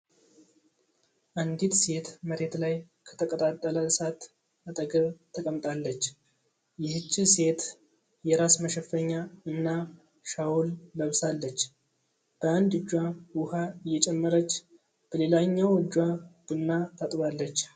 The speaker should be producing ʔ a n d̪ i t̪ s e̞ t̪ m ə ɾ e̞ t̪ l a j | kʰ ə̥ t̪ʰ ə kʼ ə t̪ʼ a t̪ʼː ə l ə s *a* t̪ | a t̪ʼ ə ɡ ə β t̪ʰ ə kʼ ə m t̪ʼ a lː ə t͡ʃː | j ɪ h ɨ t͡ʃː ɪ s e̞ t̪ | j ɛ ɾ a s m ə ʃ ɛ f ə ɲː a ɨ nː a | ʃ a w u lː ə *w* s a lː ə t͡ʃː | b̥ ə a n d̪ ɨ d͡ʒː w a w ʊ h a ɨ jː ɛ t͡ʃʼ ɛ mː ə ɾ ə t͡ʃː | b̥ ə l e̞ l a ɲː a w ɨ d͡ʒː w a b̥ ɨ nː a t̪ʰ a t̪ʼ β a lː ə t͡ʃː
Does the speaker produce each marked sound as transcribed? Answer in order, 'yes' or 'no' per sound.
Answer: yes, no

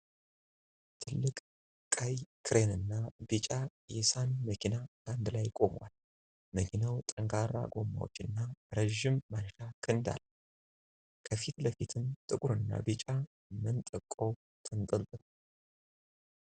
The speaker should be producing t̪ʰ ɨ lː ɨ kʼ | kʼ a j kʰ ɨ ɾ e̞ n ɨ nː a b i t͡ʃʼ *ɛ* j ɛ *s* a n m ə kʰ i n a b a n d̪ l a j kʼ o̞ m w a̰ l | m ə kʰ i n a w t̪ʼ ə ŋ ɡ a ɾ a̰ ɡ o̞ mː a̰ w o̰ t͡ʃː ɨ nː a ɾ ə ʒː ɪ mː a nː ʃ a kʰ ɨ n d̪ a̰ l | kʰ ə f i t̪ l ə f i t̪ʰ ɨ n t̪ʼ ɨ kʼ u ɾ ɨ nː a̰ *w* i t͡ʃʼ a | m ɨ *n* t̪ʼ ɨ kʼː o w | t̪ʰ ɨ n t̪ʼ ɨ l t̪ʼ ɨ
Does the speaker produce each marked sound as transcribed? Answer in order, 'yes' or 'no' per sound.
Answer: no, yes, no, yes

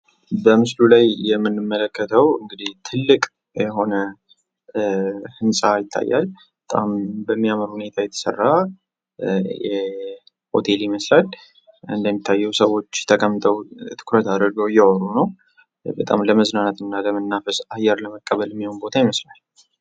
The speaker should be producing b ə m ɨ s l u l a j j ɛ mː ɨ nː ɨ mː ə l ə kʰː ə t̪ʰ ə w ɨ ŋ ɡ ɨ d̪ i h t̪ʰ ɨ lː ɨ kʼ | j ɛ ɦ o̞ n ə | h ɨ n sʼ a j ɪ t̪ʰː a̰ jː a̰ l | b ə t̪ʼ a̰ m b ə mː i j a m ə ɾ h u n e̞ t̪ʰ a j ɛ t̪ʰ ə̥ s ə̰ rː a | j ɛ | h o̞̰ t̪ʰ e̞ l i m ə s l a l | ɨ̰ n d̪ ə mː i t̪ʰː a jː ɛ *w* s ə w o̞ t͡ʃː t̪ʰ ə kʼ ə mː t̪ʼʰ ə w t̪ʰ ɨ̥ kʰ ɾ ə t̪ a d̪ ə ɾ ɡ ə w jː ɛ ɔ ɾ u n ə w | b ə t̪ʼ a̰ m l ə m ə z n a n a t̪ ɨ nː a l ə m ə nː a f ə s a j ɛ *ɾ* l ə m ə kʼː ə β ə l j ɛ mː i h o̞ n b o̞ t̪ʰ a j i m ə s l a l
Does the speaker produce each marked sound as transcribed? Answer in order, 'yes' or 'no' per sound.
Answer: yes, yes

